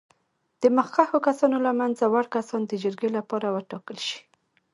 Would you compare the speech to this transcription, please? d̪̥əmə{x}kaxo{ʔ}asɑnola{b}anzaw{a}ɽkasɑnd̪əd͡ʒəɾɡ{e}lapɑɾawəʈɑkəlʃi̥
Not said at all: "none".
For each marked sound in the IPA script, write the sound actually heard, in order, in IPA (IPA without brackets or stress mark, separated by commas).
x, k, m, a, e